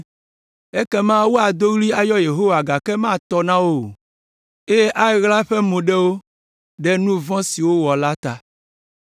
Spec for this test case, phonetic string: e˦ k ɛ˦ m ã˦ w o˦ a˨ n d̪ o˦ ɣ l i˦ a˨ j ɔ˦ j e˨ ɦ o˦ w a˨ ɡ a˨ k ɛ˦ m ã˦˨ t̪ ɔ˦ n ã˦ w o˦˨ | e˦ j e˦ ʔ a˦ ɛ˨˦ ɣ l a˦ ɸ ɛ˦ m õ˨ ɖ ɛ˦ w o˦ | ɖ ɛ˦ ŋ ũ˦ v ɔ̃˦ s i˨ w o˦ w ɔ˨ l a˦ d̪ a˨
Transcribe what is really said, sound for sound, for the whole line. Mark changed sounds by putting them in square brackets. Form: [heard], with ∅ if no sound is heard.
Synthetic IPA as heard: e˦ k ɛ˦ m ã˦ w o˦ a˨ [∅] d̪ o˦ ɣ l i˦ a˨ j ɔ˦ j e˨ ɦ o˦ w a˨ ɡ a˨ k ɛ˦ m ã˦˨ t̪ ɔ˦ n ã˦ w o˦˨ | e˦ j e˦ ʔ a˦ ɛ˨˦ ɣ l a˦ ɸ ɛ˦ m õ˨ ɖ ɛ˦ w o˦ | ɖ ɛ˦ [n] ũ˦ v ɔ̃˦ s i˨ w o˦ w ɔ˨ l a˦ [t̪] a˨